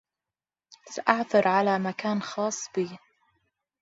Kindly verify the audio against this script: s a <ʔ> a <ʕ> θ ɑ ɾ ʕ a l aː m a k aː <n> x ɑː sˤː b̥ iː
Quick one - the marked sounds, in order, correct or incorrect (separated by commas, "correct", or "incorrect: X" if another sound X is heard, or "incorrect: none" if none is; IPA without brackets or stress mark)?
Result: correct, correct, correct